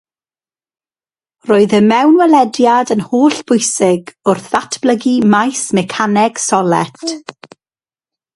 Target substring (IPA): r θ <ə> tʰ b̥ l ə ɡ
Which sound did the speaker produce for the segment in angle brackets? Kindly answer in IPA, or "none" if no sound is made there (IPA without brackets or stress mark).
a